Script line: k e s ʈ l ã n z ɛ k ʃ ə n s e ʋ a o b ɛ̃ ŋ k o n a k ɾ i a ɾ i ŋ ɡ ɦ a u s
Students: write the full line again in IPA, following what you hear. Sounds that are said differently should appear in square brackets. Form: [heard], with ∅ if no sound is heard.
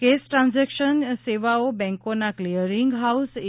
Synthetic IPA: k e s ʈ [ɾ] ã n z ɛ k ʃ ə n s e ʋ a o b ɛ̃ ŋ k o n a k [l] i [ə] ɾ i ŋ ɡ ɦ a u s